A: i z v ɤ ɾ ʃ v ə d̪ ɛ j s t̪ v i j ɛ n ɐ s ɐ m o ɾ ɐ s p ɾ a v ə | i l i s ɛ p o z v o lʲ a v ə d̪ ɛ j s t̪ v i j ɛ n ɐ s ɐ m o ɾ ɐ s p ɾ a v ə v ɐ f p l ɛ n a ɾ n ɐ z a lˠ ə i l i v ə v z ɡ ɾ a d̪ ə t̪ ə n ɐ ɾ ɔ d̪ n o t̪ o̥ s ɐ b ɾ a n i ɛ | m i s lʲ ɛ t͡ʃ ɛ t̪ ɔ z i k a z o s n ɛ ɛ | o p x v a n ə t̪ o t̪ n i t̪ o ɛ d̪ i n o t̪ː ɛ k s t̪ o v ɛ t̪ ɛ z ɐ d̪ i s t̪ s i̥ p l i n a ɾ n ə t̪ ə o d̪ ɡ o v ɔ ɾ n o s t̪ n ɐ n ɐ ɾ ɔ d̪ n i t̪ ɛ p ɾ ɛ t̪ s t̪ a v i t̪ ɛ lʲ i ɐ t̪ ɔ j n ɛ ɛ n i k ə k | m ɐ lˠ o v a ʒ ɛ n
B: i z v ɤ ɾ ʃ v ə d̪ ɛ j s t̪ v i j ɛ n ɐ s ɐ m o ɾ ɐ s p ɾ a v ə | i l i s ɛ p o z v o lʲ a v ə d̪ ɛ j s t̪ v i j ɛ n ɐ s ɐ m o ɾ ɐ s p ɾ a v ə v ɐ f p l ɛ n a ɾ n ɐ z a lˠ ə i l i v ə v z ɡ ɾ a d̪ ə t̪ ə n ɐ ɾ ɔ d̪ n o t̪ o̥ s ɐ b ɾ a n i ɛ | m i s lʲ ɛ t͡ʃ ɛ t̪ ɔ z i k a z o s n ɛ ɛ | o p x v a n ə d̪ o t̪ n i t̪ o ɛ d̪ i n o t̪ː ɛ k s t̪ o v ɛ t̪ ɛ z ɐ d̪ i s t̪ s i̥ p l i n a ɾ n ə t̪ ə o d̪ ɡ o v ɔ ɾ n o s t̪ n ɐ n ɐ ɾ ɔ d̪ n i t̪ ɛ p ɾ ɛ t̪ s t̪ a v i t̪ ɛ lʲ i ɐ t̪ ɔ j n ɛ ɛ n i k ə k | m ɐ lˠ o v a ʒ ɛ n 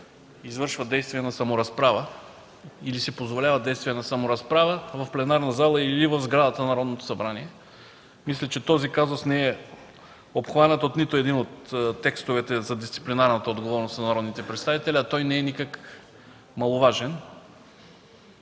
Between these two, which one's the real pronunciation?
A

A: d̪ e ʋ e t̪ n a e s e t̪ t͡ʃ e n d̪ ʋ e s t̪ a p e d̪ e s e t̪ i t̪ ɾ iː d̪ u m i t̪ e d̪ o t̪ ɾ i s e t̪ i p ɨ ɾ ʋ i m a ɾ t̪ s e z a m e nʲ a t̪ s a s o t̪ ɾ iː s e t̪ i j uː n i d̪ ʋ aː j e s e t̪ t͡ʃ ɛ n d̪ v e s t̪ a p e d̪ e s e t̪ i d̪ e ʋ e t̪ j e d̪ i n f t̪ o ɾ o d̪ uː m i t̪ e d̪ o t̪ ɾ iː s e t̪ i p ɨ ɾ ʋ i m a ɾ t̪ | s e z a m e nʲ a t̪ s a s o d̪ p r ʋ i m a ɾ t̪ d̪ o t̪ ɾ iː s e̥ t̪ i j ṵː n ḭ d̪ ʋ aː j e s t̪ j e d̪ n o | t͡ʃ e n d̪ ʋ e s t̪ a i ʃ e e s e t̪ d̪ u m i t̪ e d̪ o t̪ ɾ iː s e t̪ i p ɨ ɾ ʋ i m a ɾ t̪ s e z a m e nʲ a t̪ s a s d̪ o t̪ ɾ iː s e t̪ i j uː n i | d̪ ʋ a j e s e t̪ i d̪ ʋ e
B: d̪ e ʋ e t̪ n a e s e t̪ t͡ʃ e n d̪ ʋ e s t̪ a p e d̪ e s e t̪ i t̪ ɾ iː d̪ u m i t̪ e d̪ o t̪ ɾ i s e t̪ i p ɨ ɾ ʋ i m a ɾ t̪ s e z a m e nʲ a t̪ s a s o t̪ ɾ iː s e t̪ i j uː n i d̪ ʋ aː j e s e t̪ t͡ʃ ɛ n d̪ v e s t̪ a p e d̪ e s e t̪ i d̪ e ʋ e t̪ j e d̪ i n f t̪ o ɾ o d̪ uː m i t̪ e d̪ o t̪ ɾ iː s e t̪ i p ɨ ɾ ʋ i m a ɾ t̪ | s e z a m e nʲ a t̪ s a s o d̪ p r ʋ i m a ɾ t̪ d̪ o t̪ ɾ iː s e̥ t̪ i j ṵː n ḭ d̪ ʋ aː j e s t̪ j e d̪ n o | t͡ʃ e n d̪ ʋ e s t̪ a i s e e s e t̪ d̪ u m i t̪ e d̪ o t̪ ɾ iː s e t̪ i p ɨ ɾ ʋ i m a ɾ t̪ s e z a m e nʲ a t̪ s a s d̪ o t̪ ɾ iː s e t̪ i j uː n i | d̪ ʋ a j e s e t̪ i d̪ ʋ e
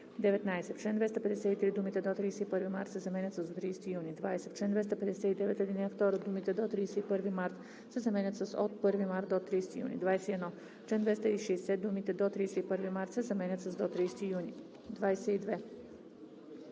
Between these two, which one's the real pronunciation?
A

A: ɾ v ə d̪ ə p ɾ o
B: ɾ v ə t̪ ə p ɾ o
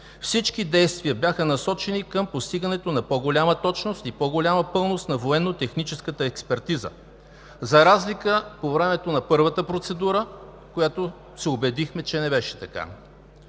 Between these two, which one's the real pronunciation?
B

